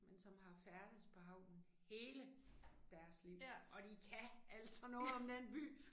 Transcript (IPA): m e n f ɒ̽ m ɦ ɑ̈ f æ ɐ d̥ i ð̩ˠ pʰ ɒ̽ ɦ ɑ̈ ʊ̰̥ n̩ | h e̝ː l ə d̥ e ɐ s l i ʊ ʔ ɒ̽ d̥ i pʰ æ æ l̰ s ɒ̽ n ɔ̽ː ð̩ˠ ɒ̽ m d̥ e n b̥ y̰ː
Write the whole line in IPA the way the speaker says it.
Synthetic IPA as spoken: m e n s ɒ̽ m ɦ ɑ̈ f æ ɐ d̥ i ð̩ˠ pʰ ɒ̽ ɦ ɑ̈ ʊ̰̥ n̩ | h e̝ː l ə d̥ æ ɐ s l i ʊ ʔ ɒ̽ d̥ i kʰ æ æ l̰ s ɒ̽ n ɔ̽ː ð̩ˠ ɒ̽ m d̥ e n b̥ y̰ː